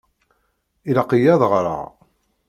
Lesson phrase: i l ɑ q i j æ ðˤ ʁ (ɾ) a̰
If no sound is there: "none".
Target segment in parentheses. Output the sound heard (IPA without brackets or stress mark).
ɾ